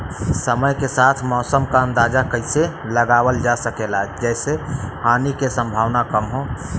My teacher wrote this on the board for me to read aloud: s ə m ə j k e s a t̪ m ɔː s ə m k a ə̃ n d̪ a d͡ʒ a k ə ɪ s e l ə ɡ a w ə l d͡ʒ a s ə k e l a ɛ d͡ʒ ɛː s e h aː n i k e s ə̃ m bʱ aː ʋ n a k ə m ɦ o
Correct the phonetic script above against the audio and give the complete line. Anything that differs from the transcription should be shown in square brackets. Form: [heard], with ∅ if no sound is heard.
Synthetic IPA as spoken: s ə m ə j k e s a [t̪ʰ] m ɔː s ə m k a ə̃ n d̪ a d͡ʒ a k ə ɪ s e l ə ɡ a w ə l d͡ʒ a s ə k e l a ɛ d͡ʒ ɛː s e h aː n i k e s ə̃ m bʱ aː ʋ n a k ə m ɦ o